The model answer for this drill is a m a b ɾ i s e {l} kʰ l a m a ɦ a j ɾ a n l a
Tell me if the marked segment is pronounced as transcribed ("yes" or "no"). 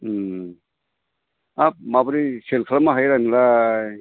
yes